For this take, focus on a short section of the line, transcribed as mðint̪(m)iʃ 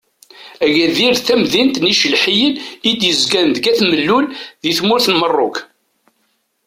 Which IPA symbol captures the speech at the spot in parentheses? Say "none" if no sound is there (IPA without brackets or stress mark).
n